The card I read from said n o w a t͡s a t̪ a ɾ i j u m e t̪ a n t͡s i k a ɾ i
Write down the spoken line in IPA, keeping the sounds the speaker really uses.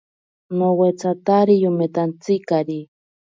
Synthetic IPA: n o w e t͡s a t̪ a ɾ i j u m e t̪ a n t͡s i k a ɾ i

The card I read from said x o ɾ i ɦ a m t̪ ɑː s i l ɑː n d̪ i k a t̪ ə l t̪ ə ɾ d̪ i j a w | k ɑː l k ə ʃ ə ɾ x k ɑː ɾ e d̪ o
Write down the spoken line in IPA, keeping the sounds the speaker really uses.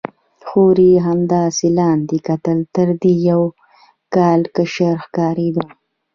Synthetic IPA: x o ɾ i ɦ a m d̪ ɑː s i l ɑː n d̪ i k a t̪ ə l t̪ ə ɾ d̪ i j a w | k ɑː l k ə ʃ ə ɾ x k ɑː ɾ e d̪ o

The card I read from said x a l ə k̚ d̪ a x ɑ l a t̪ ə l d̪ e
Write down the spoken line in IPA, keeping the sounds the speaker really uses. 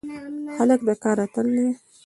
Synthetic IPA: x a l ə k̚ d̪ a k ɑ ɾ a t̪ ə l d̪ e

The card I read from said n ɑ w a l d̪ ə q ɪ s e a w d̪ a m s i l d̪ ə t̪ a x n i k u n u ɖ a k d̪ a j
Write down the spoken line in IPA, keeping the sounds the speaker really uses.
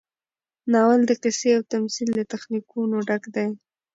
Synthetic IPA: n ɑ w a l d̪ ə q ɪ s e a w t̪ a m s i l d̪ ə t̪ a x n i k u n o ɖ a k d̪ a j

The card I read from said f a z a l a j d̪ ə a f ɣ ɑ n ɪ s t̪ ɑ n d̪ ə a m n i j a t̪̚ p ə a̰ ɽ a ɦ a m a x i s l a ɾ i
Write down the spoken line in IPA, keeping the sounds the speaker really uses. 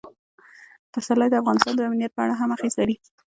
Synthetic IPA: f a s a l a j d̪ ə a f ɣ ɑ n ɪ s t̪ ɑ n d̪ ə a m n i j a t̪̚ p ə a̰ ɽ a ɦ a m a x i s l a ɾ i

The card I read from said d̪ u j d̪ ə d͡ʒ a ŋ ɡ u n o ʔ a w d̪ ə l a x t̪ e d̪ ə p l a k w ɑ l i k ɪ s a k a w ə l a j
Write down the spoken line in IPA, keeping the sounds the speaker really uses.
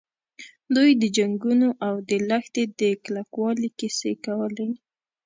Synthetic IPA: d̪ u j d̪ ə d͡ʒ a ŋ ɡ u n o ʔ a w d̪ ə l a x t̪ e d̪ ə k l a k w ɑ l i k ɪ s e k a w ə l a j

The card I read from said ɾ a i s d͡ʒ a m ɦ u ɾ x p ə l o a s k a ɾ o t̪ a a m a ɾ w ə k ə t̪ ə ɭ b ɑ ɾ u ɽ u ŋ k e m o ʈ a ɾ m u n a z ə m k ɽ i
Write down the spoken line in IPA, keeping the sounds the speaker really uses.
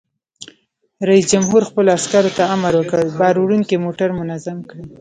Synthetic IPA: ɾ a i s d͡ʒ a m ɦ u ɾ x p ə l o a s k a ɾ o t̪ a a m a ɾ w ə k ə ə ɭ b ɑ ɾ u ɽ u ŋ k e m o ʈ a ɾ m ʊ n a z a m k ɽ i

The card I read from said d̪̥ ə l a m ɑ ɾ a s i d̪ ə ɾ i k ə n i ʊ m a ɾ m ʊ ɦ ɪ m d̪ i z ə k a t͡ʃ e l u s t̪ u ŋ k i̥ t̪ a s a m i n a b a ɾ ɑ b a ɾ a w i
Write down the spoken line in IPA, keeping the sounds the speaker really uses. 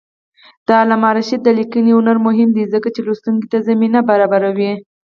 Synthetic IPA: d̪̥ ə l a m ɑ ɾ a ʃ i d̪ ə l i k ə n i ʊ n a ɾ m ʊ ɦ ɪ m d̪ i z ə k a t͡ʃ e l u s t̪ u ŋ k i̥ t̪ a z a m i n a b a ɾ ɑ b a ɾ a w i

